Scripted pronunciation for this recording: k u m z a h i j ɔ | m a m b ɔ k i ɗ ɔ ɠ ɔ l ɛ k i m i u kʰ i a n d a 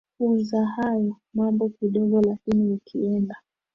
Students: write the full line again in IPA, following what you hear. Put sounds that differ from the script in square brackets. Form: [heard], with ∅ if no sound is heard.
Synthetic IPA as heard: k u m z a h [a] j ɔ | m a m b ɔ k i ɗ ɔ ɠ ɔ l [a] k i [n] i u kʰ i [ɛ] n d a